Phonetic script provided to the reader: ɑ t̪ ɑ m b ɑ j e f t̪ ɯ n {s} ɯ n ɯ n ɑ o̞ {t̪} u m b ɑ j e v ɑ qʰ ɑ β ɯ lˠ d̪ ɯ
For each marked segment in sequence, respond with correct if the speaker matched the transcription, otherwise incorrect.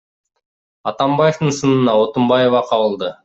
correct, correct

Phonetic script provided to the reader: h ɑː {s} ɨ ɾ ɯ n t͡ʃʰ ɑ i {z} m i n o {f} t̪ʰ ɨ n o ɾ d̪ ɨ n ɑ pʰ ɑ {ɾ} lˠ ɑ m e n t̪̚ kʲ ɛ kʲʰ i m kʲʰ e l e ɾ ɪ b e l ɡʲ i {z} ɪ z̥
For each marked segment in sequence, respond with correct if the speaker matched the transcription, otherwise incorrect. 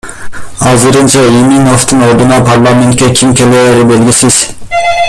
incorrect, incorrect, correct, correct, incorrect

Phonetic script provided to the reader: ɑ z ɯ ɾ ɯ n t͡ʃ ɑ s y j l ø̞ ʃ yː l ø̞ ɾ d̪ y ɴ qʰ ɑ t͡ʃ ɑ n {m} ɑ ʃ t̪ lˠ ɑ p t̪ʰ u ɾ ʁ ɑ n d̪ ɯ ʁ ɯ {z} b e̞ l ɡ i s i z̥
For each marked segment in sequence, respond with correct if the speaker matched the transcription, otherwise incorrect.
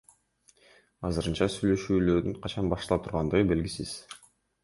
incorrect, incorrect

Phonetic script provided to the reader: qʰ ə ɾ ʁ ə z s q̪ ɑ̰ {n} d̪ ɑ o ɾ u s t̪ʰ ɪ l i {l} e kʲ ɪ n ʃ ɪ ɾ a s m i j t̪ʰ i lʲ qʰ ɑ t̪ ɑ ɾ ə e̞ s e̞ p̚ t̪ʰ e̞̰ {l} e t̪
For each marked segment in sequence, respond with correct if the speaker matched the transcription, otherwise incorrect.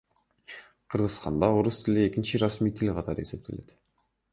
correct, incorrect, correct

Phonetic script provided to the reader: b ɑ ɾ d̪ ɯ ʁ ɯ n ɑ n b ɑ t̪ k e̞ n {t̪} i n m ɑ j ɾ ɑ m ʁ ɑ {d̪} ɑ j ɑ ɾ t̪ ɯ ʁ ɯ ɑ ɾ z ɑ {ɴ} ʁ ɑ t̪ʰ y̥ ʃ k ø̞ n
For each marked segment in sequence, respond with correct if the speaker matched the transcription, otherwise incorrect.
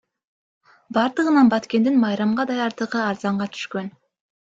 incorrect, correct, correct

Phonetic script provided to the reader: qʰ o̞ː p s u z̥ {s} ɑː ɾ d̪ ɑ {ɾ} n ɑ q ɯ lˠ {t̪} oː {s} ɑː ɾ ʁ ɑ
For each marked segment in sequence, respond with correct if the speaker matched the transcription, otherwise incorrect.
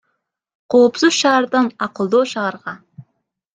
incorrect, incorrect, incorrect, incorrect

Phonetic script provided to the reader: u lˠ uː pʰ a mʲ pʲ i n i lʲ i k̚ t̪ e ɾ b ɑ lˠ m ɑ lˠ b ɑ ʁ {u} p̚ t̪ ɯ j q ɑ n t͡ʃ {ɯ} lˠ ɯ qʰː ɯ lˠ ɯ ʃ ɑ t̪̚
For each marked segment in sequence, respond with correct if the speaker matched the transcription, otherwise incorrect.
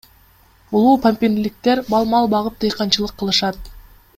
incorrect, correct

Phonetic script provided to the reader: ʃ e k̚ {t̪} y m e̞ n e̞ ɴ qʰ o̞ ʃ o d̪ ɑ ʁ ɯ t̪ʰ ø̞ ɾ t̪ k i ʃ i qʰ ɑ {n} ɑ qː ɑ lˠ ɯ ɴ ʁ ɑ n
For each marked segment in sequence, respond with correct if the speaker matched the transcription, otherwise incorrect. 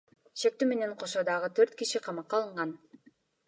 correct, incorrect

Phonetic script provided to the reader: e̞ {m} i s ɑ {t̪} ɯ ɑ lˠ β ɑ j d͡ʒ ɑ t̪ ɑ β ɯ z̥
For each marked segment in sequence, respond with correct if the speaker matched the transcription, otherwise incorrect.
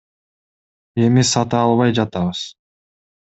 correct, correct

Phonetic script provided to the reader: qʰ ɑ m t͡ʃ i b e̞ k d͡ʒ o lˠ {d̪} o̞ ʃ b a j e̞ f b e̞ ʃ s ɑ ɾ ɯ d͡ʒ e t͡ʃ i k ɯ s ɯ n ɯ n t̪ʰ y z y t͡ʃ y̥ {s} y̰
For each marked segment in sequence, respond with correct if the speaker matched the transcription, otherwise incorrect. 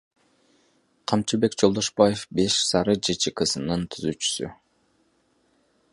correct, correct

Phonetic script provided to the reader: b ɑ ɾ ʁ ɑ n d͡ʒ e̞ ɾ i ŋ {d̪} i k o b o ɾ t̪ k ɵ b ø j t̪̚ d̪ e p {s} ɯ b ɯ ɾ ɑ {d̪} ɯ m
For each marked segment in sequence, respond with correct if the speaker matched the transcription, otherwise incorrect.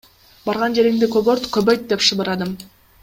correct, incorrect, correct

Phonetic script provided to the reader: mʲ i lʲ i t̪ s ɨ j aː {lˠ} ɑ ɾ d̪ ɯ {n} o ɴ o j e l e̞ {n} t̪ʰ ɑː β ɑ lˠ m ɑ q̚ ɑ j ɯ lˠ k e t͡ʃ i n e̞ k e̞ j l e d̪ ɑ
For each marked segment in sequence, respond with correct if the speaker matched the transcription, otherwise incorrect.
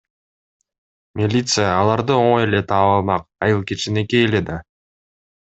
correct, incorrect, incorrect

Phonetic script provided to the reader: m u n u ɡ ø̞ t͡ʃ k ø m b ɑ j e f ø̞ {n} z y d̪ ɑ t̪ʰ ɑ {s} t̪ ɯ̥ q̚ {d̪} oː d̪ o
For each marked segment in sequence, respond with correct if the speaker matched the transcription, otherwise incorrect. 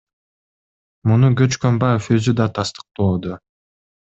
incorrect, correct, incorrect

